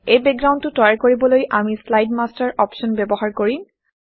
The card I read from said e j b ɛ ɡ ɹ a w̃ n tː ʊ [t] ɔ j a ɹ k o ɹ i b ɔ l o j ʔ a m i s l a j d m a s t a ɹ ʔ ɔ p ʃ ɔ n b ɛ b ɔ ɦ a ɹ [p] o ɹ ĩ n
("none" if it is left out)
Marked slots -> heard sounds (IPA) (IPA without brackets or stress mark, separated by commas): t, k